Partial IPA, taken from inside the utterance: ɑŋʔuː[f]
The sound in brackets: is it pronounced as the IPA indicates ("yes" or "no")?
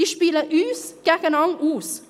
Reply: no